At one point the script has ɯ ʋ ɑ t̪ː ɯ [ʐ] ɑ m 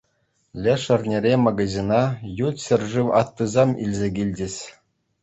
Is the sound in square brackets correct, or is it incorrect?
incorrect